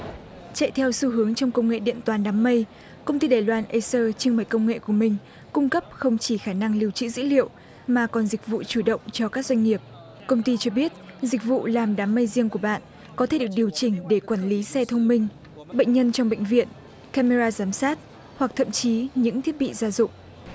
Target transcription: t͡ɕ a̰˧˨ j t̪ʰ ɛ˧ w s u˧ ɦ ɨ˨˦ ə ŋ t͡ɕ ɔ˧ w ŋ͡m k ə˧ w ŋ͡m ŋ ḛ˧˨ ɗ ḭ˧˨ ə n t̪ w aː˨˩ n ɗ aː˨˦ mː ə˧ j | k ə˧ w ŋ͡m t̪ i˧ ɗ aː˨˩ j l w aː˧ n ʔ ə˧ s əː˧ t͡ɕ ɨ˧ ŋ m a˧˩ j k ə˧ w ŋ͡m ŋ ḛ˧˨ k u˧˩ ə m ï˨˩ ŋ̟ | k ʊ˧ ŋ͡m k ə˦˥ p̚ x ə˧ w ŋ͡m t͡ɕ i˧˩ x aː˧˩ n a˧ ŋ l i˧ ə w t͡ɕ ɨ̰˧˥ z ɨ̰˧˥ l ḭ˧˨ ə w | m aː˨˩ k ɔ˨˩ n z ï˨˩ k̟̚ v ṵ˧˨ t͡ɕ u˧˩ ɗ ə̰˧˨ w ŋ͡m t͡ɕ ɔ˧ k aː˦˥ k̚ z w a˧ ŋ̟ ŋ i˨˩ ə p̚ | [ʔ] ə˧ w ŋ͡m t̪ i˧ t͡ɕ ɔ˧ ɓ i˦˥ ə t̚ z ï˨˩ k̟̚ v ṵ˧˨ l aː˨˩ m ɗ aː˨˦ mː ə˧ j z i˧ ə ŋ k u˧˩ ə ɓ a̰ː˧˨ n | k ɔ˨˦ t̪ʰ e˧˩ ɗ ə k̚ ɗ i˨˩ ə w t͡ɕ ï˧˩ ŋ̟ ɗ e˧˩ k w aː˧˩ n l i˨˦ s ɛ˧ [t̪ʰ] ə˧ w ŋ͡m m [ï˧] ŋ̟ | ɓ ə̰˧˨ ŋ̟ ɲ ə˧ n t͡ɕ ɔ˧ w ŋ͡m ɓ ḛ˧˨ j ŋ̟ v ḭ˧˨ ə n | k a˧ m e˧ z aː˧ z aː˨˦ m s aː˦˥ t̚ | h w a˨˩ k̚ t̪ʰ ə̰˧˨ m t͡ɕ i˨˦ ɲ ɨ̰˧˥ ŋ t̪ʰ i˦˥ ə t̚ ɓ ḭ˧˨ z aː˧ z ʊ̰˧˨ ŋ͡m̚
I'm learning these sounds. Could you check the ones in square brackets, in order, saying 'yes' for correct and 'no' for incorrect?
no, yes, yes

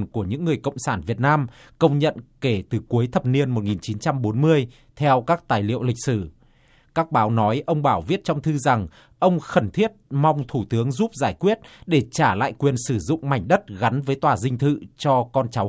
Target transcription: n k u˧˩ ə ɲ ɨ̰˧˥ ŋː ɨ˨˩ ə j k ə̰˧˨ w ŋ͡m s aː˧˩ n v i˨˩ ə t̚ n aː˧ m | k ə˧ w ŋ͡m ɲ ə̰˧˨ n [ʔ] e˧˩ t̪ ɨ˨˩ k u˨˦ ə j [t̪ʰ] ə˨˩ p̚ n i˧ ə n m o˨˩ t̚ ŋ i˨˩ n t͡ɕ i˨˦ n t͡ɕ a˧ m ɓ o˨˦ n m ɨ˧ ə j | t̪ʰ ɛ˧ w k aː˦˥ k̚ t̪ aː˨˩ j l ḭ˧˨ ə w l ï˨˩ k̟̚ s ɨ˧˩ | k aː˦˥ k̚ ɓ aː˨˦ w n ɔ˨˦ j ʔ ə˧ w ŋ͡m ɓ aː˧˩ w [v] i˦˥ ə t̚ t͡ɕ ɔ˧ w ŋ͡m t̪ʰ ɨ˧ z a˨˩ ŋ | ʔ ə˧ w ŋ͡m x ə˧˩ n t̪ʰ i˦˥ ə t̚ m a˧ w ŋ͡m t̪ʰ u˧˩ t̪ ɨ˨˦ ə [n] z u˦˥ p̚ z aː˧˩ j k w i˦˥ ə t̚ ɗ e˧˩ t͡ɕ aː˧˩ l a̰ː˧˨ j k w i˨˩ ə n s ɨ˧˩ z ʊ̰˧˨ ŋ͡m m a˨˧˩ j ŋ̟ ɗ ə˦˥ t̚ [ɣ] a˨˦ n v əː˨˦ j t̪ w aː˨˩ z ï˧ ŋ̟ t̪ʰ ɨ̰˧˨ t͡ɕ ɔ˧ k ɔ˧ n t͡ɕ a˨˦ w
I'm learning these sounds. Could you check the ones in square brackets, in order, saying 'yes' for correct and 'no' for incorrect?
no, yes, yes, no, yes

